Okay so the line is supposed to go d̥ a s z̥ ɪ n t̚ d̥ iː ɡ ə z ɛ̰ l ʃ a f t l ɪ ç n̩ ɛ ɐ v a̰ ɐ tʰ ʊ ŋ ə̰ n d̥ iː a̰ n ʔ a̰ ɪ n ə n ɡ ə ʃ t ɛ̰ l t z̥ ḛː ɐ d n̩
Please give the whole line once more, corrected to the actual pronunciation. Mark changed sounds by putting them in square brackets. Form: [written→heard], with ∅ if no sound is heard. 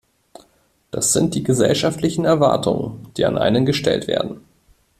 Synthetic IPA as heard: d̥ a s z̥ ɪ n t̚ d̥ iː ɡ ə z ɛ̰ l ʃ a f t l ɪ ç n̩ ɛ ɐ v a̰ ɐ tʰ ʊ ŋ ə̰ n d̥ iː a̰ n ʔ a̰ ɪ n ə n ɡ ə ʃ t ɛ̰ l t [z̥→v̥] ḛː ɐ d n̩